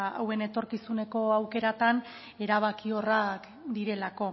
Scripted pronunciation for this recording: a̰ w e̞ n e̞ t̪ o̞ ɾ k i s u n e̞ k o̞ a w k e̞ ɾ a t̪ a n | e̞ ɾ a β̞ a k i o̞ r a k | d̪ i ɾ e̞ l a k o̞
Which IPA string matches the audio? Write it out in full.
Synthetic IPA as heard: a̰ w e̞ n e̞ t̪ o̞ ɾ k i s u n e̞ k o̞ a w k e̞ ɾ a t̪ a n | e̞ ɾ a β̞ a k i o̞ r a k | d̪ i ɾ e̞ l a k o̞